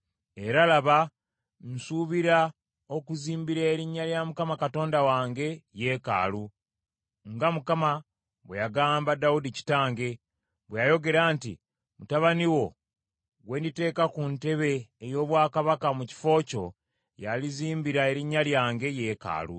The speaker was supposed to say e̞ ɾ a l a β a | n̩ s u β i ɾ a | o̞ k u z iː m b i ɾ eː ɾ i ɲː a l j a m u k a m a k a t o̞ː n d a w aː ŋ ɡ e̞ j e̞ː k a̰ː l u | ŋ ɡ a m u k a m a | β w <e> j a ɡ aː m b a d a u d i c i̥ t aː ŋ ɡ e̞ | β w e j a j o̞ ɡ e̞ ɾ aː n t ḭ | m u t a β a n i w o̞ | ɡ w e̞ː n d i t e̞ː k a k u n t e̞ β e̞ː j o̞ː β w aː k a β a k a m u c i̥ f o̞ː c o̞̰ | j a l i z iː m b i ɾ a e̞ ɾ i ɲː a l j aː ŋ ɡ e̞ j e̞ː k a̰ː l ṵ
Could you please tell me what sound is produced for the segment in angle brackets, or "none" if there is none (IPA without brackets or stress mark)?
e